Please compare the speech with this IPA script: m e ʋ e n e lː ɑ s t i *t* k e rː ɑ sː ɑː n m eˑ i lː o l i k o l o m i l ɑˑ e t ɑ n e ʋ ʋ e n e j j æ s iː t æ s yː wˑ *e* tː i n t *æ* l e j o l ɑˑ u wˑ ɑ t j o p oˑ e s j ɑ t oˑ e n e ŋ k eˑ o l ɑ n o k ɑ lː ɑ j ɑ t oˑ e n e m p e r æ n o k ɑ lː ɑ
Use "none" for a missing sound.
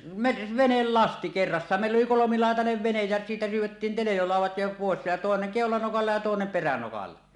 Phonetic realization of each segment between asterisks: none, e, e

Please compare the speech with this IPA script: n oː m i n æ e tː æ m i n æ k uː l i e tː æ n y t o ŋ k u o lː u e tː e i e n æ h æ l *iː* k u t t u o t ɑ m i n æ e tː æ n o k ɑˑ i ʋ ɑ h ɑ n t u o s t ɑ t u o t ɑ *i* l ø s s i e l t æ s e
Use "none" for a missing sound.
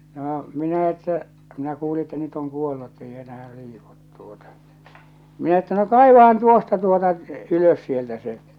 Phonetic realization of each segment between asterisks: iː, y

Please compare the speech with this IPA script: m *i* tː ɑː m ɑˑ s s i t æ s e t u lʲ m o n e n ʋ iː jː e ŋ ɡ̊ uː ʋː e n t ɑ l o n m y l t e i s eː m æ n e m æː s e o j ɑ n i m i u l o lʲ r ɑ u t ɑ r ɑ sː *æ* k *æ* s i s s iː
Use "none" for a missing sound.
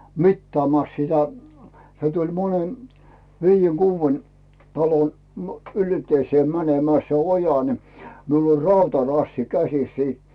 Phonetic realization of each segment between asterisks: i, i, æ

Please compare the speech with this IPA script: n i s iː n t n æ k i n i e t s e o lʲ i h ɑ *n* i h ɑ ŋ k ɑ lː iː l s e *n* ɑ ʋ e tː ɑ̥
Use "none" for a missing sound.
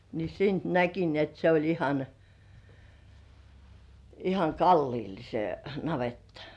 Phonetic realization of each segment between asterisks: n, n

